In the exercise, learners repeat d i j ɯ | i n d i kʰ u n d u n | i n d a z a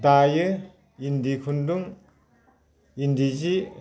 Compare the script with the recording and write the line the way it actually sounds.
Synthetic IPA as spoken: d a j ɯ | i n d i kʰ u n d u ŋ | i n d i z i

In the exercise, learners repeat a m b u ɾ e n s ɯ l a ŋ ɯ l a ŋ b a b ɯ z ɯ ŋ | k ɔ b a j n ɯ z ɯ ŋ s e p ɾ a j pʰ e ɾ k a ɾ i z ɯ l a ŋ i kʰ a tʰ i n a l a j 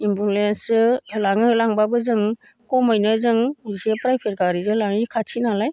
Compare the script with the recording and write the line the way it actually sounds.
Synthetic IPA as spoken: i m b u l e n s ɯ l a ŋ ɯ l a ŋ b a b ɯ z ɯ ŋ | k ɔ m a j n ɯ z ɯ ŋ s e p ɾ a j pʰ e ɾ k a ɾ i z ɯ l a ŋ i kʰ a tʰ i n a l a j

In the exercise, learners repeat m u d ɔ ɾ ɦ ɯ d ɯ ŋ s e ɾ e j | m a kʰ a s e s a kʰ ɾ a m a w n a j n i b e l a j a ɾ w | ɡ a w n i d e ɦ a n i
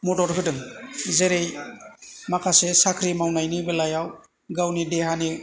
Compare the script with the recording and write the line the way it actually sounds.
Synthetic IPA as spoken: m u d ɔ ɾ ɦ ɯ d ɯ ŋ z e ɾ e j | m a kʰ a s e s a kʰ ɾ i m a w n a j n i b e l a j a w | ɡ a w n i d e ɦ a n i

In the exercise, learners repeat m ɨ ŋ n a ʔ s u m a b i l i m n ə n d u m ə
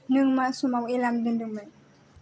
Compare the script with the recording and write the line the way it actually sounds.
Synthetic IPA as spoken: n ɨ ŋ m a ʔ s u m a w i l a m d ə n d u m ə

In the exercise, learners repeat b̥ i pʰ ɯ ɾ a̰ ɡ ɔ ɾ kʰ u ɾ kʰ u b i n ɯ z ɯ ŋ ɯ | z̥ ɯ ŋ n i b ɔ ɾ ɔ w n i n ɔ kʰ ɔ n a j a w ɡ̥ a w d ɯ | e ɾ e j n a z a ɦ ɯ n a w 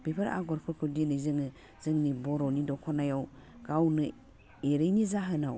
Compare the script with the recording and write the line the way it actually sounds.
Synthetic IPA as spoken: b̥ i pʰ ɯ ɾ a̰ ɡ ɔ ɾ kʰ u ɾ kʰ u d i n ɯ z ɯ ŋ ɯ | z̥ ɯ ŋ n i b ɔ ɾ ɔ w n i d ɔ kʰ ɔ n a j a w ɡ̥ a w n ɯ | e ɾ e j n i z a ɦ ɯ n a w

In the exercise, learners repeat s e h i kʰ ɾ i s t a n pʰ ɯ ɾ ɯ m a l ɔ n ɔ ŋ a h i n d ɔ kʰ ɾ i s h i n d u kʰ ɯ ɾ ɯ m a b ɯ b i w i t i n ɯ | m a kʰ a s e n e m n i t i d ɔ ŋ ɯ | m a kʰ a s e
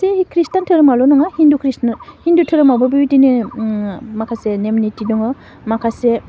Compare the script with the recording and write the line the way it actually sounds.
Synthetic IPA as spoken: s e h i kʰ ɾ i s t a n tʰ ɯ ɾ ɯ m a l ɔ n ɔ ŋ a h i n d u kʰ ɾ i s h i n d u tʰ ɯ ɾ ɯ m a b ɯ b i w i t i n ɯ | m a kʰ a s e n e m n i t i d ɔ ŋ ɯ | m a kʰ a s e

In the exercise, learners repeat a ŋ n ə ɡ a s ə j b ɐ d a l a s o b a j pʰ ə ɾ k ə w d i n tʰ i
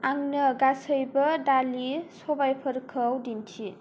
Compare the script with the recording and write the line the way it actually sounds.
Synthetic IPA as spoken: a ŋ n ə ɡ a s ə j b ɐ d a l i s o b a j pʰ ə ɾ kʰ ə w d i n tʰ i

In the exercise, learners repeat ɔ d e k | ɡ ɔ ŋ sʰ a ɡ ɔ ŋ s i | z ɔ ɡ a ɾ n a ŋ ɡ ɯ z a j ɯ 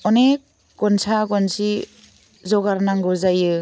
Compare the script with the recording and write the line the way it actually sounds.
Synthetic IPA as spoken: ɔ n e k | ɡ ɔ n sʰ a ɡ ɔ n s i | z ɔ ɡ a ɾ n a ŋ ɡ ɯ z a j ɯ

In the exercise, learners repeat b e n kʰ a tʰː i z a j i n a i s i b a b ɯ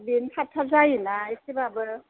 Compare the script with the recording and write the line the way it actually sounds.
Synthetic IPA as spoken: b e n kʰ a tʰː a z a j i n a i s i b a b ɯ

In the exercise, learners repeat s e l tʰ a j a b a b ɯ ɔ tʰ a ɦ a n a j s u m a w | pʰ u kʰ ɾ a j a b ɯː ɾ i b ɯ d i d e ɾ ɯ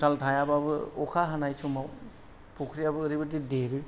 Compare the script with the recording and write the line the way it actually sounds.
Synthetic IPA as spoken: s a l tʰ a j a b a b ɯ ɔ kʰ a ɦ a n a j s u m a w | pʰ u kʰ ɾ i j a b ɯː ɾ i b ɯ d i d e ɾ ɯ

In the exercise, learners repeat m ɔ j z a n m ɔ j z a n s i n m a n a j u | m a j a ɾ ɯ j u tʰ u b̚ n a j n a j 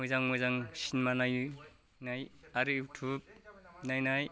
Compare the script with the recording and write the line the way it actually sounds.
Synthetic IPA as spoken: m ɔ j z a ŋ m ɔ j z a ŋ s i n m a n a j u | n a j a ɾ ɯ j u tʰ u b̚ n a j n a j

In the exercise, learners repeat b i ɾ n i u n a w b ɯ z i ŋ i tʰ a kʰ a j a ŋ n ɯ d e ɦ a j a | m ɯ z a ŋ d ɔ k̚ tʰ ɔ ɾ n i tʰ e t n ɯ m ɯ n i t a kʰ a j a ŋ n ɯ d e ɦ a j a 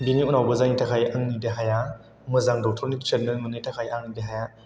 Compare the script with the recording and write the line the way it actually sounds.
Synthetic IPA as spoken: b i n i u n a w b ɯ z a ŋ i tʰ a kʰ a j a ŋ n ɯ d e ɦ a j a | m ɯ z a ŋ d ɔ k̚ tʰ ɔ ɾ n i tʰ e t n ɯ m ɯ n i t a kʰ a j a ŋ n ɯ d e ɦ a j a

